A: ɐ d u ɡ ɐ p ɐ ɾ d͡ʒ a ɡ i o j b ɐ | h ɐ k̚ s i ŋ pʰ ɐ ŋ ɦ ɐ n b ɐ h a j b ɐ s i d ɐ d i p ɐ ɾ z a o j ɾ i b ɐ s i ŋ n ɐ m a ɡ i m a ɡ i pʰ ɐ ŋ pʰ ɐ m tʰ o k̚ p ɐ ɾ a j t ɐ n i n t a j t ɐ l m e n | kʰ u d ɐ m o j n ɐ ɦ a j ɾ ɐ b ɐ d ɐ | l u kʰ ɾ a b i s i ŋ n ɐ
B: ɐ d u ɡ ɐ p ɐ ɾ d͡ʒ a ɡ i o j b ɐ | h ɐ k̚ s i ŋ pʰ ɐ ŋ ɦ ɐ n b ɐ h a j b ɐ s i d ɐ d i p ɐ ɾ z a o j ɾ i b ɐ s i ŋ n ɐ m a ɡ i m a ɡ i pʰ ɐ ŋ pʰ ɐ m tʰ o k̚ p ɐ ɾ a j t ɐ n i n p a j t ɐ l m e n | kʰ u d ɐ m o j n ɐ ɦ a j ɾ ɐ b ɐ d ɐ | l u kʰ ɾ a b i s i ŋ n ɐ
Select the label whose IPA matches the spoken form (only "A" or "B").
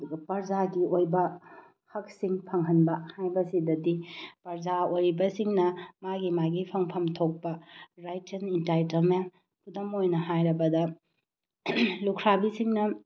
A